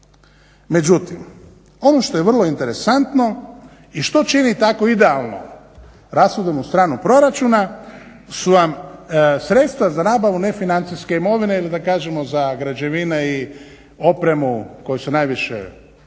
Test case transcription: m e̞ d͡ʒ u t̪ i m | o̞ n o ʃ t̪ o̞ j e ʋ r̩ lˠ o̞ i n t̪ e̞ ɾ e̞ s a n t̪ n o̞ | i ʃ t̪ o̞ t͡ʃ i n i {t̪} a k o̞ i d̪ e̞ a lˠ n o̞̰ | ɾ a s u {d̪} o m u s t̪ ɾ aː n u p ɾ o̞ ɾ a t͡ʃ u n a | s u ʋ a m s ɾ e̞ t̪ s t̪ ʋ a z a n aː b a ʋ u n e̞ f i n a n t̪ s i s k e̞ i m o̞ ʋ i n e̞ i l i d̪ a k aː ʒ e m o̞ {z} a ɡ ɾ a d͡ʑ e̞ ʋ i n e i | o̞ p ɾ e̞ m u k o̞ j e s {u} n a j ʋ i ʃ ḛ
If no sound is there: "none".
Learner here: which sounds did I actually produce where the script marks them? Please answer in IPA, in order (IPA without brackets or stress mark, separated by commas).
t̪, d̪, z, u